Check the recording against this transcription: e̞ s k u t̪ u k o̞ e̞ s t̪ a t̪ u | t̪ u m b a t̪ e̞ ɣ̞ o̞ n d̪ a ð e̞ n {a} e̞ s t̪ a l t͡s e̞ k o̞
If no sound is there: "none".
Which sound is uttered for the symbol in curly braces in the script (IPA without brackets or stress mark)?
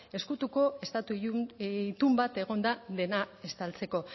a